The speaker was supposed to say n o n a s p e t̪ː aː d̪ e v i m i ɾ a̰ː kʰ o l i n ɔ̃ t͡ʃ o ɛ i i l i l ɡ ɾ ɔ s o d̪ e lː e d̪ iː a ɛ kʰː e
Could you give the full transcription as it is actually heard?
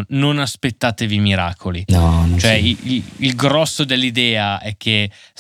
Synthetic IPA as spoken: n o n a s p e t̪ː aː t̪ e v i m i ɾ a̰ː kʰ o l i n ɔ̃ t͡ʃ o ɛ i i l i l ɡ ɾ ɔ sː o d̪ e lː i d̪ ɛː a ɛ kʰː e